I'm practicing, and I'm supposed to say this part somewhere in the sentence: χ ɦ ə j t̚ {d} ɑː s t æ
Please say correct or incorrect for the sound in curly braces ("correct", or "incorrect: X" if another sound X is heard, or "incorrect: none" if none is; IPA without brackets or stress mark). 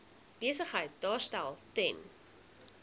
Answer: correct